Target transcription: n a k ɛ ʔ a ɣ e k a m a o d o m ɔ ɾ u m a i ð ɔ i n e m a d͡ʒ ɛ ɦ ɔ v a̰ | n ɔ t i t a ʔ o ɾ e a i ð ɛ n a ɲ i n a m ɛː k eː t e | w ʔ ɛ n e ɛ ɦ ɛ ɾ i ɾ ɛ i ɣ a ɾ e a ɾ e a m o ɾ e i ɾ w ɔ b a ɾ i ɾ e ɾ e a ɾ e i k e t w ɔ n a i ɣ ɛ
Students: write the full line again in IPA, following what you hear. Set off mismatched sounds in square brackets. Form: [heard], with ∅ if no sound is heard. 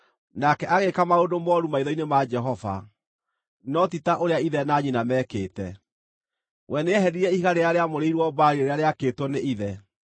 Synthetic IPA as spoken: n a k ɛ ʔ a ɣ e k a m a o d o m ɔ ɾ u m a i ð ɔ i n e m a d͡ʒ ɛ ɦ ɔ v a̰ | n ɔ t i t a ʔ o ɾ e a i ð ɛ n a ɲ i n a m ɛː k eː t [ɛ] | w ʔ ɛ n e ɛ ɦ ɛ ɾ i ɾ ɛ i ɣ a ɾ e a ɾ e a m o ɾ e i ɾ w ɔ b a ɾ i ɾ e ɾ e a ɾ e [a] k e t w ɔ n [e] i [ð] ɛ